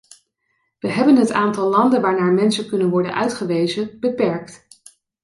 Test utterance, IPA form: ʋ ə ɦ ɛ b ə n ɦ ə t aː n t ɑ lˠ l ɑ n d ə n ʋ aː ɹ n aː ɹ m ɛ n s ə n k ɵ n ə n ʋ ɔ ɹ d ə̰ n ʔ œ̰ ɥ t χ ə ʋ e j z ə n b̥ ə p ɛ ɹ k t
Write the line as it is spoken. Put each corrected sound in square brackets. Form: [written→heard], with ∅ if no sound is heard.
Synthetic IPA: ʋ ə ɦ ɛ b ə n ɦ ə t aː n t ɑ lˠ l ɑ n d ə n ʋ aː ɹ n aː ɹ m ɛ n s ə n k ɵ n ə n ʋ ɔ ɹ d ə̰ n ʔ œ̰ ɥ t χ ə ʋ e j z ə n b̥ ə p ɛ ɹ k t